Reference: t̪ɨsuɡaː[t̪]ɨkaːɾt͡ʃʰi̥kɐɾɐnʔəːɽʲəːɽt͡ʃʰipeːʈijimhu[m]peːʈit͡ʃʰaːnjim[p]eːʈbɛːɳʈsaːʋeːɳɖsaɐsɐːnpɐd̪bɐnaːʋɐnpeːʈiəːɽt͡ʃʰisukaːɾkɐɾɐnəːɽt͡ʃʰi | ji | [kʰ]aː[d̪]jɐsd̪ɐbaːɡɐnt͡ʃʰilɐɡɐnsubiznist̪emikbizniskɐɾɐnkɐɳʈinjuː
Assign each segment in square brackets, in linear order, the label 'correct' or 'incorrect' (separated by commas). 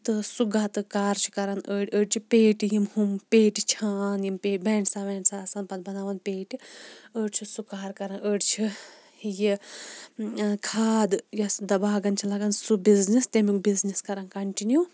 correct, correct, correct, correct, correct